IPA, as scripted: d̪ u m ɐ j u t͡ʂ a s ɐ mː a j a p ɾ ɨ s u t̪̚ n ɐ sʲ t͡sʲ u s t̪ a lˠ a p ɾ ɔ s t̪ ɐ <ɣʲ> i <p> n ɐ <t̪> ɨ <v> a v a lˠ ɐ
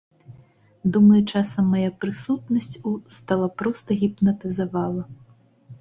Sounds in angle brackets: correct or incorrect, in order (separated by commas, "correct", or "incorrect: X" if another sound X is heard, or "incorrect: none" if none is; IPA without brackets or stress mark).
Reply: correct, correct, correct, incorrect: z